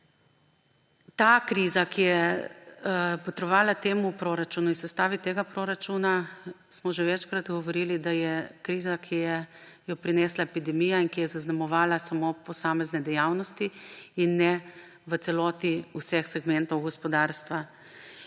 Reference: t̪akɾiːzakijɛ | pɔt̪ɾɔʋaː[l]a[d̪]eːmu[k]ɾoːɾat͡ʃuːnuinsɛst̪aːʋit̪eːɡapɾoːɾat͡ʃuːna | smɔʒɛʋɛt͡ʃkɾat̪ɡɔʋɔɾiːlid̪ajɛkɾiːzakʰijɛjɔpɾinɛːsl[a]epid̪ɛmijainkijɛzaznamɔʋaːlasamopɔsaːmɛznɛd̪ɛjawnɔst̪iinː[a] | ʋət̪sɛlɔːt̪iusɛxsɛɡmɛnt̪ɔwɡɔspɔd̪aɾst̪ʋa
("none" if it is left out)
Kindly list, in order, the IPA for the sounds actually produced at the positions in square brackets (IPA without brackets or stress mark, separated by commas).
l, t̪, p, a, ɛ